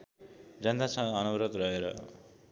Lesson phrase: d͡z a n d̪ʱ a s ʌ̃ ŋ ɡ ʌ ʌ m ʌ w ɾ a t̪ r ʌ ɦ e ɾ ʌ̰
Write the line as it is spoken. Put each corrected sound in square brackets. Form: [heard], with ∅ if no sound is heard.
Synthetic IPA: d͡z [ʌ] n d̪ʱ a s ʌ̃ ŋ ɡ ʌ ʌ [n] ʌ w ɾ [ʌ] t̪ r ʌ ɦ e ɾ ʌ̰